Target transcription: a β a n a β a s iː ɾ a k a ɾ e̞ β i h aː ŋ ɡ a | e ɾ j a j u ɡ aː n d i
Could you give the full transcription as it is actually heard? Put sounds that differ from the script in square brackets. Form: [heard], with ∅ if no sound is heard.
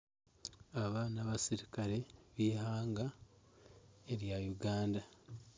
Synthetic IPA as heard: a β a n a β a s [i] ɾ [i] k a ɾ e̞ β i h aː ŋ ɡ a | e ɾ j a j u ɡ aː n d [a]

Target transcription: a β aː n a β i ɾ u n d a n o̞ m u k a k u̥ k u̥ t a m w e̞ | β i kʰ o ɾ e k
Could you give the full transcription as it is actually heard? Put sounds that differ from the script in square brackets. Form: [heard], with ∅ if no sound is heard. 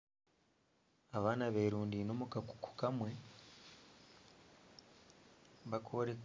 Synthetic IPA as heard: a β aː n a β [e] ɾ [uː] n d [i] n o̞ m u k a k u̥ k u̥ [k] a m w e̞ | β [a] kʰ o ɾ e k

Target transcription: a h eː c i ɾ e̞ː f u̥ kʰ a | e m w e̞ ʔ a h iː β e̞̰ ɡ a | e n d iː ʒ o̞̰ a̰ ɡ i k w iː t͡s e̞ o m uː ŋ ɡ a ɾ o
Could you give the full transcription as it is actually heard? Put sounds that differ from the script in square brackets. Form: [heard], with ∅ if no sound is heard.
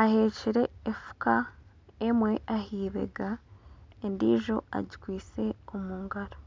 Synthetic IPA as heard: a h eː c i ɾ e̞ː f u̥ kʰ a | e m w e̞ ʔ a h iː β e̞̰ ɡ a | e n d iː ʒ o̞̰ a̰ [ɟ] i k w iː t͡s e̞ o m uː ŋ ɡ a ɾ o

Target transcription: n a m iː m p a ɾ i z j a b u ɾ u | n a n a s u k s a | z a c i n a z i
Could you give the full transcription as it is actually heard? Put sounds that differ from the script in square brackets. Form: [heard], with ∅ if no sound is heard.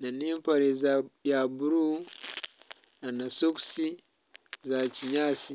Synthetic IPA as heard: n a [n] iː m p a ɾ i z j a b u ɾ u | n a n a s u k s [i] | z a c i [ɲ] a [s] i

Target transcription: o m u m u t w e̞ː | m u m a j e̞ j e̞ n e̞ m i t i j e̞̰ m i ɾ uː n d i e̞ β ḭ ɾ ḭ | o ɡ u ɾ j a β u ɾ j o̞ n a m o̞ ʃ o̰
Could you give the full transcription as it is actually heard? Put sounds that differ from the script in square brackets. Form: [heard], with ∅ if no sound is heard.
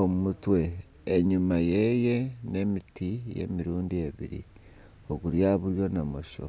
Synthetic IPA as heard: o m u m u t w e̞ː | [ɲ] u m a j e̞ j e̞ n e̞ m i t i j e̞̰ m i ɾ uː n d i e̞ β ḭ ɾ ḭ | o ɡ u ɾ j a β u ɾ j o̞ n a m o̞ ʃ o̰

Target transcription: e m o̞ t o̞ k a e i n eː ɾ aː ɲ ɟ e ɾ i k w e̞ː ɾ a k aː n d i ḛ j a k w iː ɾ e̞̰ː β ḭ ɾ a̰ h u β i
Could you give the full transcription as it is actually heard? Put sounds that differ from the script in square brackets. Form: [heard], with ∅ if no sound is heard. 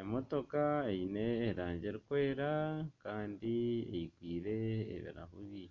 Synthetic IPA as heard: e m o̞ t o̞ k a e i n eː ɾ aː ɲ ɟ e ɾ i k w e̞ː ɾ a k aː n d i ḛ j [i] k w iː ɾ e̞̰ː β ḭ ɾ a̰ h u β i

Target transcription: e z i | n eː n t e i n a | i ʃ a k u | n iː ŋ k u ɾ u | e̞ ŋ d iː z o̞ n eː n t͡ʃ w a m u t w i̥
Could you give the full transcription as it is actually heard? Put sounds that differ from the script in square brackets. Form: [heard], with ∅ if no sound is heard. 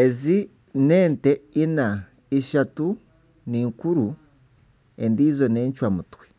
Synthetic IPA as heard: e z i | n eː n t e i n a | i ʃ a [t] u | n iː ŋ k u ɾ u | e̞ [n] d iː z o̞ n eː [ɲ] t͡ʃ w a m u t w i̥

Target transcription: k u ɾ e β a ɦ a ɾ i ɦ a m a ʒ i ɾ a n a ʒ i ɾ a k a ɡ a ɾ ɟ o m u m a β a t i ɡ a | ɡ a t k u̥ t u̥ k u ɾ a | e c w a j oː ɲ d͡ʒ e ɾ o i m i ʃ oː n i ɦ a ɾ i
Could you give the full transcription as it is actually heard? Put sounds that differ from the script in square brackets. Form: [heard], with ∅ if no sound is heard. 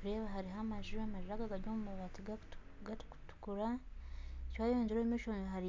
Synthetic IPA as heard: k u ɾ e β a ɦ a ɾ i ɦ a m a ʒ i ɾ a [m] a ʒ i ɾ a [ɡ] a ɡ a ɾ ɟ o m u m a β a t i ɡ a | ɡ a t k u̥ t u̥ k u ɾ a | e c w a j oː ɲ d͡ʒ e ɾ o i m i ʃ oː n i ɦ a ɾ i

